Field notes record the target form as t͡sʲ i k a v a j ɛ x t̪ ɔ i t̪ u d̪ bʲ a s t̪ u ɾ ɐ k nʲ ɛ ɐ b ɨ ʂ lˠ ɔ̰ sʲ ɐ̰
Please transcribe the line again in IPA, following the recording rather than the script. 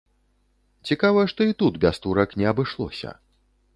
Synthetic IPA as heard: t͡sʲ i k a v ɐ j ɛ ʂ t̪ ɔ i t̪ u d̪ bʲ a s t̪ u ɾ ɐ k nʲ ɛ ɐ b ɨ ʂ lˠ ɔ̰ sʲ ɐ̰